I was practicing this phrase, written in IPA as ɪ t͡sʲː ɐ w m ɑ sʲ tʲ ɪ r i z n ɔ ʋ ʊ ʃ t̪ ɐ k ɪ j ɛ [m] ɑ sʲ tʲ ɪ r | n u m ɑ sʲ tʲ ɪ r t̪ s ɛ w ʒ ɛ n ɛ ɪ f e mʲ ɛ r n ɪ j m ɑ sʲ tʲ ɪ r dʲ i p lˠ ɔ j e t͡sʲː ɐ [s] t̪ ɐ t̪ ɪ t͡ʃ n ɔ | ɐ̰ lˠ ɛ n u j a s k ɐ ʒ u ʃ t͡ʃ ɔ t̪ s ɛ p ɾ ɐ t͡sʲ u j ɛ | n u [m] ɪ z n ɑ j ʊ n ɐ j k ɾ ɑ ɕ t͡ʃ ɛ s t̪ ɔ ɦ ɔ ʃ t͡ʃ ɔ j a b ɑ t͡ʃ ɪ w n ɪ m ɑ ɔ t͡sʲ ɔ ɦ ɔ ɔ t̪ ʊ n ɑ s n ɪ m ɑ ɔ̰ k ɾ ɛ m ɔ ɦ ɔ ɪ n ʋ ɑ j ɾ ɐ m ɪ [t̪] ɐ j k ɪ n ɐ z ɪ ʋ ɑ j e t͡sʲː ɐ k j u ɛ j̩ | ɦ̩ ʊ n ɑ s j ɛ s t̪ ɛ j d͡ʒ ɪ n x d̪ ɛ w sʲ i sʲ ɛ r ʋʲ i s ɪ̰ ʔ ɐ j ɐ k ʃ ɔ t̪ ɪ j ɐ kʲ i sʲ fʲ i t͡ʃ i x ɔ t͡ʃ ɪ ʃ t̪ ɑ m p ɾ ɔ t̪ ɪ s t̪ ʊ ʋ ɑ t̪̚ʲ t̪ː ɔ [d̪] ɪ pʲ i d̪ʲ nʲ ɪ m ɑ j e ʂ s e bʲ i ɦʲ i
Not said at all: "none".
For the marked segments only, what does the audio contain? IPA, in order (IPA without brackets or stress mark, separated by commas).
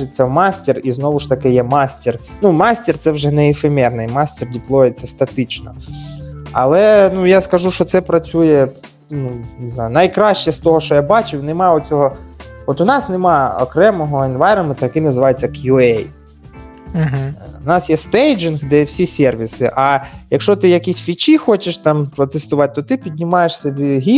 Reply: m, s, n, t̪, t̪